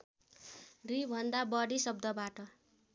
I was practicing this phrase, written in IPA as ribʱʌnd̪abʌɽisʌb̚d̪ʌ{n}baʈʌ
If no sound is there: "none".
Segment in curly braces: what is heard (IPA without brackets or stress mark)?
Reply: none